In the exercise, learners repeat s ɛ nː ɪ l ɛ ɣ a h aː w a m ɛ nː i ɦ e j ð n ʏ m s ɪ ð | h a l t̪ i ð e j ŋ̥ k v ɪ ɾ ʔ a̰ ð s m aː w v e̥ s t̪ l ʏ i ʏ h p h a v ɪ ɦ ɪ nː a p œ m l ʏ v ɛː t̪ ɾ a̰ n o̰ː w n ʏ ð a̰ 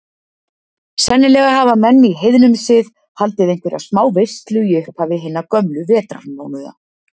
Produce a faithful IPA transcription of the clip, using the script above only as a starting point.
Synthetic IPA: s ɛ nː ɪ l ɛ ɣ a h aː v a m ɛ nː i ɦ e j ð n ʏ m s ɪ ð | h a l t̪ ɪ ð e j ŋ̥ k v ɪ ɾ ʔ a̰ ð s m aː w v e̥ s t̪ l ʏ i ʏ h p h a v ɪ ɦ ɪ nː a k œ m l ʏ v ɛː t̪ ɾ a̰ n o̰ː w n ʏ ð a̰